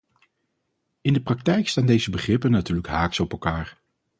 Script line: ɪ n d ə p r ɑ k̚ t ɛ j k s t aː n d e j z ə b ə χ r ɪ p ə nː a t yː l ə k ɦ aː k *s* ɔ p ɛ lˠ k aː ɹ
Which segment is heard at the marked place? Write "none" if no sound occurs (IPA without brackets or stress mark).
s